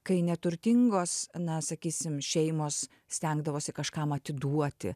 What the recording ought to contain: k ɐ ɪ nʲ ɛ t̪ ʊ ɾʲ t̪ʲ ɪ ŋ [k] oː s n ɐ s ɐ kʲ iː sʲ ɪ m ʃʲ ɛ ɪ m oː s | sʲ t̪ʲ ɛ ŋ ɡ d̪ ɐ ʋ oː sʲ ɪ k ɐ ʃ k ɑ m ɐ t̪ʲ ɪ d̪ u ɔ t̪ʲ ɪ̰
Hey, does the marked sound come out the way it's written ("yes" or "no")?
no